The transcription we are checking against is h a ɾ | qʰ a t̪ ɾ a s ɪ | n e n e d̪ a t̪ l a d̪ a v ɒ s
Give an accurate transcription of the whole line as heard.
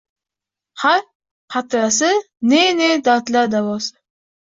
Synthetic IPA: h a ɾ | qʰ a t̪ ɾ a s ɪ | n e n e d̪ a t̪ l a d̪ a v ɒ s

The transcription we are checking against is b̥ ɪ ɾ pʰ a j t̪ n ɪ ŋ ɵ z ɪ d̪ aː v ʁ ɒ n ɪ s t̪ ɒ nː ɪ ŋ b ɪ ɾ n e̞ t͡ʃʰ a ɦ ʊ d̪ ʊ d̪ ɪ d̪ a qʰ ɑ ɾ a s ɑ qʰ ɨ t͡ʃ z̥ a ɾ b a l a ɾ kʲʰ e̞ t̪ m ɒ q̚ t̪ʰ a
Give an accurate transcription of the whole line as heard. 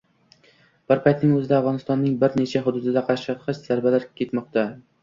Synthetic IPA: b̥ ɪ ɾ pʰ a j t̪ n ɪ ŋ ɵ z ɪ d̪ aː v ʁ ɒ n ɪ s t̪ ɒ nː ɪ ŋ b ɪ ɾ n e̞ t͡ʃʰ a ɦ ʊ d̪ ʊ d̪ ɪ d̪ a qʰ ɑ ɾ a ʃ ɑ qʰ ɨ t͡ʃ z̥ a ɾ b a l a ɾ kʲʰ e̞ t̪ m ɒ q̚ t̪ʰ a

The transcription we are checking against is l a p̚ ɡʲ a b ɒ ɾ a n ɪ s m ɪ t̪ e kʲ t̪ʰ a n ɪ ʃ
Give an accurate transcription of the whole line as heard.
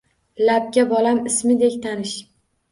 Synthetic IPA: l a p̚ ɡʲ a b ɒ l a m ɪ s m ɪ d̪ e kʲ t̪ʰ a n ɪ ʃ

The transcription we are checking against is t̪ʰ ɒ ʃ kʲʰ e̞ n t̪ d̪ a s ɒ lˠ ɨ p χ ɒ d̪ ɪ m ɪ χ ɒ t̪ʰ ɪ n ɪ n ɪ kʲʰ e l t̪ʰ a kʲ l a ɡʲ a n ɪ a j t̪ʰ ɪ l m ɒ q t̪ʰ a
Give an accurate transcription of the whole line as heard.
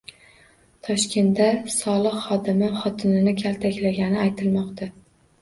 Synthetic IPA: t̪ʰ ɒ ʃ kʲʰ e̞ n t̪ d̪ a s ɒ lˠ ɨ q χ ɒ d̪ ɪ m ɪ χ ɒ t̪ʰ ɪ n ɪ n ɪ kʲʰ a l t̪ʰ a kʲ l a ɡʲ a n ɪ a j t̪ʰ ɪ l m ɒ q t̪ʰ a

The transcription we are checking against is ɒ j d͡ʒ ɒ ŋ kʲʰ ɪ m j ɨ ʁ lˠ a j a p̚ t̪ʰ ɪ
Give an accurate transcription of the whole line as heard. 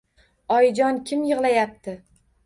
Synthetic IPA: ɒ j d͡ʒ ɒ n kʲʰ ɪ m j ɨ ʁ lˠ a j a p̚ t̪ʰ ɪ

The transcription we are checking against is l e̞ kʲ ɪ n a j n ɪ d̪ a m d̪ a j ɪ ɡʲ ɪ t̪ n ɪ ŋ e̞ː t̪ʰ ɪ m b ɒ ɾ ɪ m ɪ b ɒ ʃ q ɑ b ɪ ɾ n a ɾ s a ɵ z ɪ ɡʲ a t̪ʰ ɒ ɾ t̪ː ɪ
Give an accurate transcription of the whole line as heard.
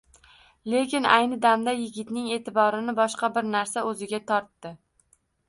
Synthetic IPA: l e̞ kʲ ɪ n a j n ɪ d̪ a m d̪ a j ɪ ɡʲ ɪ t̪ n ɪ ŋ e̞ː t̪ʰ ɪ b ɒ ɾ ɪ n ɪ b ɒ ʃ q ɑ b ɪ ɾ n a ɾ s a ɵ z ɪ ɡʲ a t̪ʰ ɒ ɾ t̪ː ɪ

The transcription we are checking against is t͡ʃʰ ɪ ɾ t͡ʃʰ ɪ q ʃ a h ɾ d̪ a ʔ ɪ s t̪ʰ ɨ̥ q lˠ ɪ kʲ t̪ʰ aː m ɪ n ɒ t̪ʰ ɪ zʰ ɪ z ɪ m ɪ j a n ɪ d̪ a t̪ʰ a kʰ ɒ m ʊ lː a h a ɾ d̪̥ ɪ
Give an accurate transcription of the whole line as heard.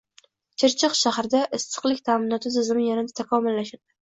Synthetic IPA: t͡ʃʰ ɪ ɾ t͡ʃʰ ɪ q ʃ a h ɾ d̪ a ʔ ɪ s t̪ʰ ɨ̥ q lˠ ɪ kʲ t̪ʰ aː m ɪ n ɒ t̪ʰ ɪ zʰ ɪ z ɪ m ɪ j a n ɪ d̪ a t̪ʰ a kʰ ɒ m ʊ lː a ʃ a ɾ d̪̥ ɪ

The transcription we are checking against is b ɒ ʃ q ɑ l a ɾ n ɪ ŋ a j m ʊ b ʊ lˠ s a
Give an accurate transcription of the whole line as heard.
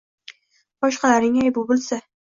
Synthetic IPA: b ɒ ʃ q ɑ l a ɾ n ɪ ŋ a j b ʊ b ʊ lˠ s a

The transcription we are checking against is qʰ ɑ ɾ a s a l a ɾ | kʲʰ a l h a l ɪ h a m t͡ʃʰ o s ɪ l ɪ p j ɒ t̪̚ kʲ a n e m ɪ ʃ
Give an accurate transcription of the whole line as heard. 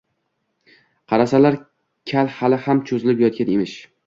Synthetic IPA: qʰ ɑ ɾ a s a l a ɾ | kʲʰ a l h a l ɪ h a m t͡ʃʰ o z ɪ l ɪ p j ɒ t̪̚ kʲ a n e m ɪ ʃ

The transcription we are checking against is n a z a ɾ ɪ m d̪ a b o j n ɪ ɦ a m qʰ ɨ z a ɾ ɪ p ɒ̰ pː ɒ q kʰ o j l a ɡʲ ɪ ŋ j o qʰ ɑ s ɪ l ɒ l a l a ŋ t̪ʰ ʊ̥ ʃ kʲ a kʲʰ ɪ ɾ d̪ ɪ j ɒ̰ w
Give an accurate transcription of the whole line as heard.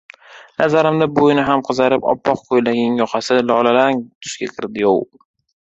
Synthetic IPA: n a z a ɾ ɪ m d̪ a b o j n ɪ ɦ a m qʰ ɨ z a ɾ ɪ p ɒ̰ pː ɒ q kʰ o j l a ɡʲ ɪ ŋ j ɒ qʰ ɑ s ɪ l ɒ l a l a ŋ t̪ʰ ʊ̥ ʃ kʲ a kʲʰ ɪ ɾ d̪ ɪ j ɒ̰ w

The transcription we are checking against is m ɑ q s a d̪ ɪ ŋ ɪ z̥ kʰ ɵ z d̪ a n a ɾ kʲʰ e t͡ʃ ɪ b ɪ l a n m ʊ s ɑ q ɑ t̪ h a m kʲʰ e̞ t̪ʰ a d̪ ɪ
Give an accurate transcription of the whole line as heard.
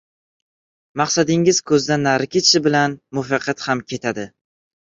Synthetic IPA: m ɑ q s a d̪ ɪ ŋ ɪ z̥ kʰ ɵ z d̪ a n a ɾ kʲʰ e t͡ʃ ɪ b ɪ l a n m ʊ f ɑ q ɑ t̪ h a m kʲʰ e̞ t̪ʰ a d̪ ɪ

